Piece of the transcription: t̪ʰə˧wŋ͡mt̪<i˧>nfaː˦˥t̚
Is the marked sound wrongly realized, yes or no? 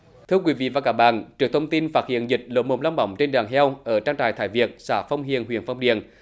no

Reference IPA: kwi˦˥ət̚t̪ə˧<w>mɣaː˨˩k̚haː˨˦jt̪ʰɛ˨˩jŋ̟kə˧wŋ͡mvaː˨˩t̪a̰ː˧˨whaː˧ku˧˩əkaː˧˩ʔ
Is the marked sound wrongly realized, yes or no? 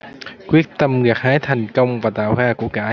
yes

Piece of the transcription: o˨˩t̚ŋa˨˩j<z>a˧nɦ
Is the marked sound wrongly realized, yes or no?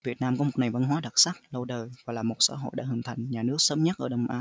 yes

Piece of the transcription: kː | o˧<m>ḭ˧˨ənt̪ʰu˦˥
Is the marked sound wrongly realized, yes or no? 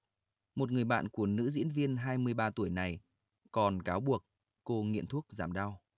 yes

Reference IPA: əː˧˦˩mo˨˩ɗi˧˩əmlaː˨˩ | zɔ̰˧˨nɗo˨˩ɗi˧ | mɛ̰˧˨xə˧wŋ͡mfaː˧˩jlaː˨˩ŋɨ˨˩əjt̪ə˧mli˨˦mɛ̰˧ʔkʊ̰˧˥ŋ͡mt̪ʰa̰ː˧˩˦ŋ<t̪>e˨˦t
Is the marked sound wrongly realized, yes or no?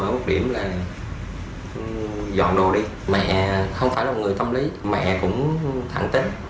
no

